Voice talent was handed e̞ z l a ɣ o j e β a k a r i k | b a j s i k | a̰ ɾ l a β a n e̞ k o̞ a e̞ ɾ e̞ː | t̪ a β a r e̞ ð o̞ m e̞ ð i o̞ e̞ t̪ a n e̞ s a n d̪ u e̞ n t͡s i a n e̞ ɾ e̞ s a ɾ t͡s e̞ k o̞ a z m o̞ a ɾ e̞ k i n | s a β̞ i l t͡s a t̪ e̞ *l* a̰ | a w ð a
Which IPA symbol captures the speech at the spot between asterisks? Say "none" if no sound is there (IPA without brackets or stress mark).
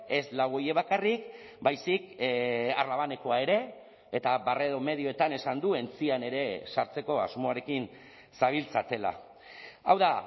l